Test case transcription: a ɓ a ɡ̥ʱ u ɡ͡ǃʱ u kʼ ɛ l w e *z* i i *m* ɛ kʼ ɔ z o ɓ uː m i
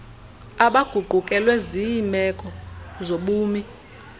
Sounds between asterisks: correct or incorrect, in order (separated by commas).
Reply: correct, correct